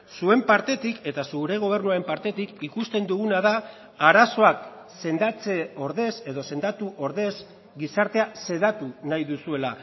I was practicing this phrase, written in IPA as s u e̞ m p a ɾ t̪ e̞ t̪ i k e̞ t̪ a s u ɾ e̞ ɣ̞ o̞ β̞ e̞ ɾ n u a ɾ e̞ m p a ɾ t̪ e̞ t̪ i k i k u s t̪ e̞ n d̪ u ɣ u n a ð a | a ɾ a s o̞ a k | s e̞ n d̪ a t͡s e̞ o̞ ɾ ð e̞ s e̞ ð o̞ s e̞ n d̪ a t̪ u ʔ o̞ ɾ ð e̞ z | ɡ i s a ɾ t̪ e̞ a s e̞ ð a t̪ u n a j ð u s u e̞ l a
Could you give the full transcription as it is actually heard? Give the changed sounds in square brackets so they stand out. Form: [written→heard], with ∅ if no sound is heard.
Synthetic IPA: s u e̞ m p a ɾ t̪ e̞ t̪ i k e̞ t̪ a s u ɾ e̞ ɣ̞ o̞ β̞ e̞ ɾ n u a ɾ e̞ m p a ɾ t̪ e̞ t̪ i k i k u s t̪ e̞ n d̪ u ɣ u n a ð a | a ɾ a s o̞ a k | s e̞ n d̪ a t͡s e̞ o̞ ɾ ð e̞ s e̞ ð o̞ s e̞ n d̪ a t̪ u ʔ o̞ ɾ ð e̞ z | ɡ i s a ɾ t̪ e̞ a s e̞ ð a t̪ u n a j ð u s u e̞ l a